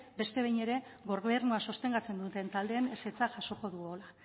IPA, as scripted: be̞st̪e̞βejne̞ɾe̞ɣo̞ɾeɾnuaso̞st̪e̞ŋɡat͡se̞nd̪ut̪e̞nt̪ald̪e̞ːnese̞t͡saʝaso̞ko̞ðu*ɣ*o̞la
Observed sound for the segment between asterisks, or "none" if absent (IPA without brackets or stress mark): ɣ